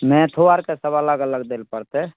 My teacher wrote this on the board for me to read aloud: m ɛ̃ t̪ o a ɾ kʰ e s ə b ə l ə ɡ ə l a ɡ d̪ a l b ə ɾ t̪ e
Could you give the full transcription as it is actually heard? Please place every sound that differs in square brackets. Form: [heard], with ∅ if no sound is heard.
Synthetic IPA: m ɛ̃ [t̪ʰ] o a ɾ [k] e s ə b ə l ə ɡ ə l [ə] ɡ d̪ [e] l [p] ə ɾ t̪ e